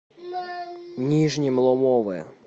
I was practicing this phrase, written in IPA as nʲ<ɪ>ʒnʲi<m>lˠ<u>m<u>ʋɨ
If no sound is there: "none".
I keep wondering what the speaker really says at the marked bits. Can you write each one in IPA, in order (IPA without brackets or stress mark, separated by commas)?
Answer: i, m, ɔ, ɔ